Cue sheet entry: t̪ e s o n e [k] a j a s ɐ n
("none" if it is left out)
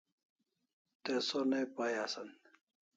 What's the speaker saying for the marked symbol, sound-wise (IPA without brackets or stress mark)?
p